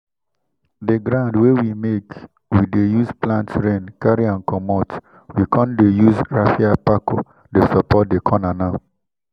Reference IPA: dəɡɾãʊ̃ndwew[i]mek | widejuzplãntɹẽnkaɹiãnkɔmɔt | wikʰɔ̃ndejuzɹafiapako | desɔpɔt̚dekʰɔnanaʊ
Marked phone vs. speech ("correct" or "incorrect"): correct